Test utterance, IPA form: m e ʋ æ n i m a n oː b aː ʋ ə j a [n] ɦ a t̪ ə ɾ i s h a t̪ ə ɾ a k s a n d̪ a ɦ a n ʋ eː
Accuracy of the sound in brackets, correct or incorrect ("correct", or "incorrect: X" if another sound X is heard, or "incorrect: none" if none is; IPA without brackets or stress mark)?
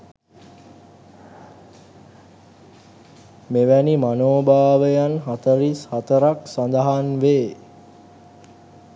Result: correct